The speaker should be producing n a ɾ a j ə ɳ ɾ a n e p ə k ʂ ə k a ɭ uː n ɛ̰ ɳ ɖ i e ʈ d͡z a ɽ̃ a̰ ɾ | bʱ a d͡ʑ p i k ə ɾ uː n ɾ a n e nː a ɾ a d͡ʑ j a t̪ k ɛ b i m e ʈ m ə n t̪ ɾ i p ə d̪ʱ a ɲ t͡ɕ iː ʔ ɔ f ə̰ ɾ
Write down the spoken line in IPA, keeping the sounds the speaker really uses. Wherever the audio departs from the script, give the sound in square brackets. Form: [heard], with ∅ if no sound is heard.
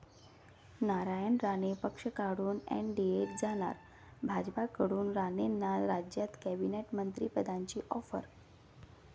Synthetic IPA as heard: n a ɾ a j ə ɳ ɾ a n e p ə k ʂ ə k a [ɽ] uː n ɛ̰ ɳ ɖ i e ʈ d͡z a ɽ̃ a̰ ɾ | bʱ a d͡ʑ p [a] k ə [ɽ] uː n ɾ a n e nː a ɾ a d͡ʑ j a t̪ k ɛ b i [n] e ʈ m ə n t̪ ɾ i p ə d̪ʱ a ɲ t͡ɕ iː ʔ ɔ f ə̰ ɾ